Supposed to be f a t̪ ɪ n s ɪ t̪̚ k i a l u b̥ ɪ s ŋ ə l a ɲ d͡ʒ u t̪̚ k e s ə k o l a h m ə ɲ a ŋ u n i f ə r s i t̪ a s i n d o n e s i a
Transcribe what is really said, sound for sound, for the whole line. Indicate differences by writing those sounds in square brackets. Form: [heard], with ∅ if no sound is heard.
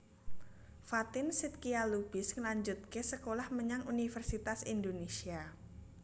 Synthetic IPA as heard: f a t̪ ɪ n s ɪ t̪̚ k i a l u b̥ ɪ s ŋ ə l a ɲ d͡ʒ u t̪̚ k e s ə k o l a h m ə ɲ a ŋ u n i f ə r s i t̪ a s i n d o n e s i a